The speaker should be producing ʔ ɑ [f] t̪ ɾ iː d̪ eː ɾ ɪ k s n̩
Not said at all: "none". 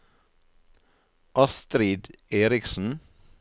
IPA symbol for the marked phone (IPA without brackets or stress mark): s